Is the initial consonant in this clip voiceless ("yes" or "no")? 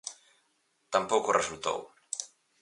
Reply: yes